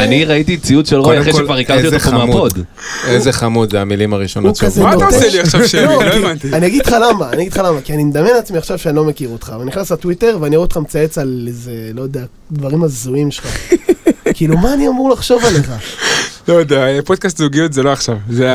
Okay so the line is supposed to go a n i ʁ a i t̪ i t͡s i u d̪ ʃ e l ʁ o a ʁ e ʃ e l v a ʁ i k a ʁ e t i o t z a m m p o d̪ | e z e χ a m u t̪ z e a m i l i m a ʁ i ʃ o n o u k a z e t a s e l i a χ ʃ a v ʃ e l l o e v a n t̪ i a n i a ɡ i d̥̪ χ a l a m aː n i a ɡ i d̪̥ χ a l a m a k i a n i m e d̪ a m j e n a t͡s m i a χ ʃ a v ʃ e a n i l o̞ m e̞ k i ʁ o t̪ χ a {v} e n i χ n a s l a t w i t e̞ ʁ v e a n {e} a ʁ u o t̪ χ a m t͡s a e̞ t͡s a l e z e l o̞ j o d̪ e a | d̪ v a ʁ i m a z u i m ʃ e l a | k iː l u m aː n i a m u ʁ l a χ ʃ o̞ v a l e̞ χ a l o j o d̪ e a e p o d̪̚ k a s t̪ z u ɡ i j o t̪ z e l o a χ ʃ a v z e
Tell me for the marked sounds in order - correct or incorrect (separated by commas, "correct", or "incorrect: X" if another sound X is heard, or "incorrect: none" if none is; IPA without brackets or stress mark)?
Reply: correct, incorrect: i